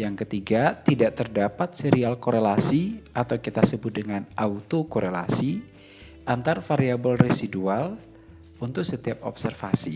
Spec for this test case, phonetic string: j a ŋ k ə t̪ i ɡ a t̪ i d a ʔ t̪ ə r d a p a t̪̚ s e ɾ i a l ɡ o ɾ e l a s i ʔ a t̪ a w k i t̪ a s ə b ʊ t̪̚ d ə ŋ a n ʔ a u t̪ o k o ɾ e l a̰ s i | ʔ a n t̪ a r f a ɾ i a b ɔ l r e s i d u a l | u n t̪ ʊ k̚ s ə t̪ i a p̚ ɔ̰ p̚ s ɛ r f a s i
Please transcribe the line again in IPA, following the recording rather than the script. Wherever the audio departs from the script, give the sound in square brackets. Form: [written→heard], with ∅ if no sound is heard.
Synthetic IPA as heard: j a ŋ k ə t̪ i ɡ a t̪ i d a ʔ t̪ ə r d a p a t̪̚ s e ɾ i a l [ɡ→k] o ɾ e l a s i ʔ a t̪ a w k i t̪ a s ə b ʊ t̪̚ d ə ŋ a n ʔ a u t̪ o k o ɾ e l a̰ s i | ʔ a n t̪ a r f a ɾ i a b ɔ l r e s i d u a l | u n t̪ ʊ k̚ s ə t̪ i a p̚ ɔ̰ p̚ s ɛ r f a s i